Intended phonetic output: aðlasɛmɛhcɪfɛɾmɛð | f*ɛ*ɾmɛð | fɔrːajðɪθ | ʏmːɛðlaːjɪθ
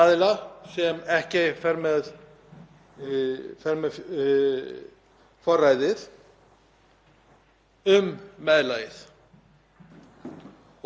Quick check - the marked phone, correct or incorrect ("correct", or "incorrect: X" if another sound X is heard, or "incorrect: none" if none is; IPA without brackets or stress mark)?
correct